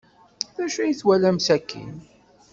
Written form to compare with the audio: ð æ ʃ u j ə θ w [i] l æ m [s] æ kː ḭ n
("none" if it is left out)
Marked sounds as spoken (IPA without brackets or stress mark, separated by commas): æ, s